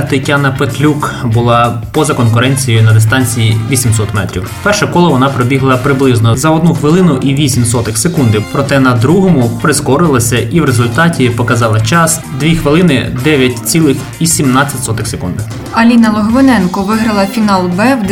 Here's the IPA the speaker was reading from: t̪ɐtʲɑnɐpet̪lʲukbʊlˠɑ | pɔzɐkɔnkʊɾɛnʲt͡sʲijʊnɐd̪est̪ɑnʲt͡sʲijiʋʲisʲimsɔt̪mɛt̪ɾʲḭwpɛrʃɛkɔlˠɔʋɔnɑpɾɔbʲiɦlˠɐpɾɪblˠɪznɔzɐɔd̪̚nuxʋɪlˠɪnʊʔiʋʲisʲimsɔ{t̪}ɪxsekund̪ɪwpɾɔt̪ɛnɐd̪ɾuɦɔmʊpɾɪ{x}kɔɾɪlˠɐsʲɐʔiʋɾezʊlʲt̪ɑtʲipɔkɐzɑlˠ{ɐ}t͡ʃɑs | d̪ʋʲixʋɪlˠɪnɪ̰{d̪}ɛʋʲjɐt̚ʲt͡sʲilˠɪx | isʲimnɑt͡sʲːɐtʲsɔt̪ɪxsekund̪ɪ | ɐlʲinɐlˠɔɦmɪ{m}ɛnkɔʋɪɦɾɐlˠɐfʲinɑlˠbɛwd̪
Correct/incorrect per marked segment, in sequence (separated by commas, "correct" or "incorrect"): correct, incorrect, correct, correct, incorrect